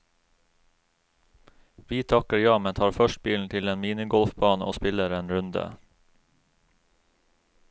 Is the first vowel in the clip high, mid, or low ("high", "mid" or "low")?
high